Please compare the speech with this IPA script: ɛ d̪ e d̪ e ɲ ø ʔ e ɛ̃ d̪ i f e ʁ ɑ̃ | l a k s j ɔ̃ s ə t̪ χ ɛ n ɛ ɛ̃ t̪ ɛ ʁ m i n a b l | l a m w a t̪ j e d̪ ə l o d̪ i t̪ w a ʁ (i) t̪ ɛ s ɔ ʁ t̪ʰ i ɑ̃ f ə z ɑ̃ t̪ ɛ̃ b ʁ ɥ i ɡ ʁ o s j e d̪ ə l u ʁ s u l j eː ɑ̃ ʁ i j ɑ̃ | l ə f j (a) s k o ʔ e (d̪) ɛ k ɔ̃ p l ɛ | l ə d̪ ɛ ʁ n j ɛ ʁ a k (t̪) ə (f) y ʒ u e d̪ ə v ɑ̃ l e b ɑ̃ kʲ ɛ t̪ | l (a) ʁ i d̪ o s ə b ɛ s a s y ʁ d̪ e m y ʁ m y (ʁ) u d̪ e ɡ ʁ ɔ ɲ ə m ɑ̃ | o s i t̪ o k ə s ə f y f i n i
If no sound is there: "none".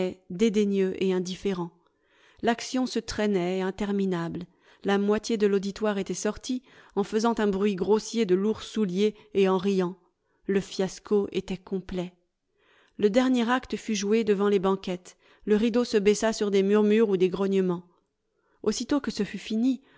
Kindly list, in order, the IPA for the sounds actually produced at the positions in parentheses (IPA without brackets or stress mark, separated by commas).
e, a, t̪, t̪, f, ə, ʁ